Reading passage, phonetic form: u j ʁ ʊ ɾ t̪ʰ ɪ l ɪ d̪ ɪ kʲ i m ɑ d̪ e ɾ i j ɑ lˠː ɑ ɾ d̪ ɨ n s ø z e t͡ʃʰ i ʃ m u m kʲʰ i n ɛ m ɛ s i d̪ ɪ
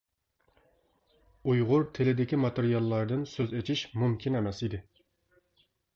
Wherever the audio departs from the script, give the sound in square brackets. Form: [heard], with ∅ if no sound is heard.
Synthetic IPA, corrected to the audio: u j ʁ ʊ ɾ t̪ʰ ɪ l ɪ d̪ ɪ kʲ i m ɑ [t̪] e ɾ i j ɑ lˠː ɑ ɾ d̪ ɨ n s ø z e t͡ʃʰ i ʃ m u m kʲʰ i n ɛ m ɛ s i d̪ ɪ